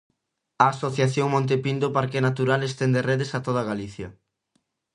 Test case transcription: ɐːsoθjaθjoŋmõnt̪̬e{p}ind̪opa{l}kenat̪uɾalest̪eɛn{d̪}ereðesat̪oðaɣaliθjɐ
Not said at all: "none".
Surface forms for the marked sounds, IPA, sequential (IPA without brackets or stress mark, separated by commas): p, ɾ, d̪